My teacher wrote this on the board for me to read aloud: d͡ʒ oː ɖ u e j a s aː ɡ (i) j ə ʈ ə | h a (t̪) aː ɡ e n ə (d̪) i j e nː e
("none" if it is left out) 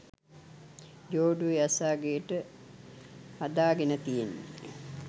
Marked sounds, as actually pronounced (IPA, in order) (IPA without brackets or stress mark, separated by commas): e, d̪, t̪